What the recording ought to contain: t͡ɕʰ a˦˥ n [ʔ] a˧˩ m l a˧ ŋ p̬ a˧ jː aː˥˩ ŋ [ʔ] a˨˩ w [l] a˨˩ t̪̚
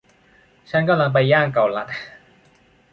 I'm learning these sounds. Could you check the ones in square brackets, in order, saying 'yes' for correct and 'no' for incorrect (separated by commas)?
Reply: no, no, yes